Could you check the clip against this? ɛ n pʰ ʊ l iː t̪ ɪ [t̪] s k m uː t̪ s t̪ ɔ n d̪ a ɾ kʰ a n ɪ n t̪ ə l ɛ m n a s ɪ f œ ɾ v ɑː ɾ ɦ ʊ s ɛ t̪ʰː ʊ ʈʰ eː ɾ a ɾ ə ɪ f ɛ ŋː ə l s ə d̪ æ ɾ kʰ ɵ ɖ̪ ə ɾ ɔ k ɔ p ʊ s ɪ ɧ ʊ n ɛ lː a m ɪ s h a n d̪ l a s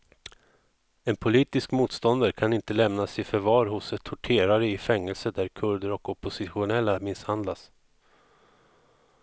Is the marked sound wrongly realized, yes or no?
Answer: yes